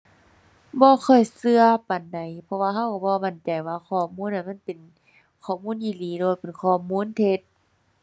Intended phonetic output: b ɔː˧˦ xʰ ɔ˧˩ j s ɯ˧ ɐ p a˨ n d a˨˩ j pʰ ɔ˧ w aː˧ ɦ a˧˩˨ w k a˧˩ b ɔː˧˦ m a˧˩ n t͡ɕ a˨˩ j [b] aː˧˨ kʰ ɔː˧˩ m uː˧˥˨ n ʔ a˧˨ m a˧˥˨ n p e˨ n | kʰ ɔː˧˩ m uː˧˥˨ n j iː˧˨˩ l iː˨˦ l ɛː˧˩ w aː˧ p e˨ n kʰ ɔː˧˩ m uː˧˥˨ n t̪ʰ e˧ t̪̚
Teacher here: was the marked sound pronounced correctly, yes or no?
no